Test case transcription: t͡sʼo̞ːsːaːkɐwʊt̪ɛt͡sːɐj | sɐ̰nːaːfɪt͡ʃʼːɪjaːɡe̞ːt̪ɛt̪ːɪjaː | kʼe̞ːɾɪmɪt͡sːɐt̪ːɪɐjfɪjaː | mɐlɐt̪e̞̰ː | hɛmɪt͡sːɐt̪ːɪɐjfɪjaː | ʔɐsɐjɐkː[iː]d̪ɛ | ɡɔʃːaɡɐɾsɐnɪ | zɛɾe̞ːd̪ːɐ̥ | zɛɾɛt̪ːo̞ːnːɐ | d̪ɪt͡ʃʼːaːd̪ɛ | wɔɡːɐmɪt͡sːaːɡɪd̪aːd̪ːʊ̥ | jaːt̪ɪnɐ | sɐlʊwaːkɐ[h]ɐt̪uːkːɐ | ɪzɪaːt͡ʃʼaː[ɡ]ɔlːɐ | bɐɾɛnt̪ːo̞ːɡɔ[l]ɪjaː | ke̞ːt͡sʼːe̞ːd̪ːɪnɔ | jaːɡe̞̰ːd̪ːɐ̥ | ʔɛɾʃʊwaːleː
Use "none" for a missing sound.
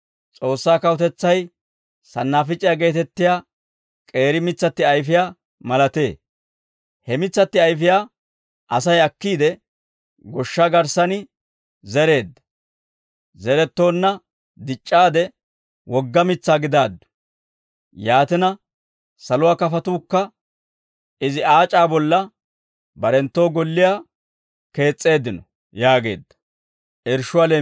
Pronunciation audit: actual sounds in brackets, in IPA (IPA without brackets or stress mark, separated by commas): iː, f, b, lː